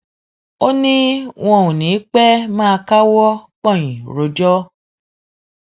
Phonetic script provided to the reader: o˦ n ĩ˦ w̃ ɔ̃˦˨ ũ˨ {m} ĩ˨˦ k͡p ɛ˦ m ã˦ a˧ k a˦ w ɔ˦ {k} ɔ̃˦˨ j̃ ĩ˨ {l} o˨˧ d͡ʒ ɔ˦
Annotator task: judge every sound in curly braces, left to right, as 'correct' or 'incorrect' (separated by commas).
incorrect, incorrect, incorrect